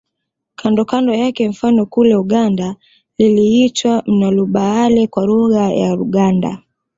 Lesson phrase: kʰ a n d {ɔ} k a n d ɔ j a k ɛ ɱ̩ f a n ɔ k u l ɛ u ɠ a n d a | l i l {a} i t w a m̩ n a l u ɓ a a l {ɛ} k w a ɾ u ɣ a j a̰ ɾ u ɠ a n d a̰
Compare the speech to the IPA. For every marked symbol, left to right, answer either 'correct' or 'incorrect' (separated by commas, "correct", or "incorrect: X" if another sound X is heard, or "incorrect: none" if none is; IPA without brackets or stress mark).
correct, incorrect: i, correct